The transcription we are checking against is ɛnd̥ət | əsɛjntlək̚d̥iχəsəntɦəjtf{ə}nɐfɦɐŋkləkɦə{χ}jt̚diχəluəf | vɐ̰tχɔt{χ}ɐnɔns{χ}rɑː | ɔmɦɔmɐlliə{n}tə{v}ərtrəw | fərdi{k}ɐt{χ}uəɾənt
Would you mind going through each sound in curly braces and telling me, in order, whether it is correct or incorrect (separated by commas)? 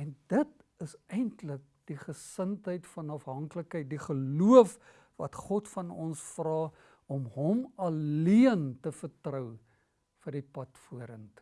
incorrect, incorrect, incorrect, incorrect, correct, incorrect, incorrect, incorrect